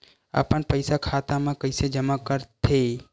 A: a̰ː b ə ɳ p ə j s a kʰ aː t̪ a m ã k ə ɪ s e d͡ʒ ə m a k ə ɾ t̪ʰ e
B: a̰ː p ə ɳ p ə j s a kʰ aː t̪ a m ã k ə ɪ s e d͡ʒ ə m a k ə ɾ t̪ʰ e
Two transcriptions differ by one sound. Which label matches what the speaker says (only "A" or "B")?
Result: B